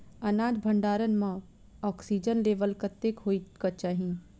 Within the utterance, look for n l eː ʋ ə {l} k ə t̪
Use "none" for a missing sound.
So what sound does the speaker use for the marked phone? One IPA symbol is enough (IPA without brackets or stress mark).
l